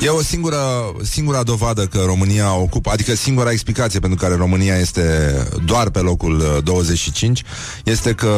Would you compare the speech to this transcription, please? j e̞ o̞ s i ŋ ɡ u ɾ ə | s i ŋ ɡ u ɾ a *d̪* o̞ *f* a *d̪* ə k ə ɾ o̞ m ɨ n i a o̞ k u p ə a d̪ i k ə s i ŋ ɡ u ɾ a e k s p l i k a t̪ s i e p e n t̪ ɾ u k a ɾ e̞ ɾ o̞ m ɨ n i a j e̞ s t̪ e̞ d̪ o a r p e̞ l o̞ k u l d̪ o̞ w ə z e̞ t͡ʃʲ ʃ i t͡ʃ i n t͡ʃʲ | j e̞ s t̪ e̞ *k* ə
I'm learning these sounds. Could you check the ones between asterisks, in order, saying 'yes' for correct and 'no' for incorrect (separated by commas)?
yes, no, yes, yes